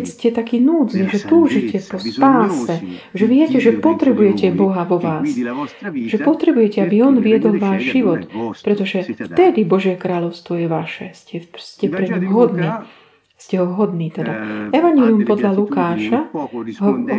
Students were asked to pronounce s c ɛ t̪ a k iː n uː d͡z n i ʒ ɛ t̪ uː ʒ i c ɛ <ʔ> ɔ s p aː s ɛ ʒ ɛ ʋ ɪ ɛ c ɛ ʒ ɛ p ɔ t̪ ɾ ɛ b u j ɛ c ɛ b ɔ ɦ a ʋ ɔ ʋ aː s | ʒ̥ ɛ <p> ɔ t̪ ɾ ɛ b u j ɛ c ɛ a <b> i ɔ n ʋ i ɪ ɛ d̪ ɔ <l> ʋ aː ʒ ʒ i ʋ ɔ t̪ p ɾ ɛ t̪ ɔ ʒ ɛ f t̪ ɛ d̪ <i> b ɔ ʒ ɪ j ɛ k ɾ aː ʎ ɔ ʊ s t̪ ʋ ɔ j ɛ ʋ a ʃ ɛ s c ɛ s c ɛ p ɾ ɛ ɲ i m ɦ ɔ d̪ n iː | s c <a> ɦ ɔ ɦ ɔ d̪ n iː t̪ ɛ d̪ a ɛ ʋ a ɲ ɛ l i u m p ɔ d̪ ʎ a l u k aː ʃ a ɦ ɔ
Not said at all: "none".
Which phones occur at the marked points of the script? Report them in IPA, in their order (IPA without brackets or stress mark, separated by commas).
p, p, b, l, i, ɛ